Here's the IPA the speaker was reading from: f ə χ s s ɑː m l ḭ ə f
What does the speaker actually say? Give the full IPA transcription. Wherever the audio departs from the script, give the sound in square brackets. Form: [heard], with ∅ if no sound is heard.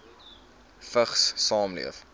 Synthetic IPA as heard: f ə χ s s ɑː m l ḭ ə f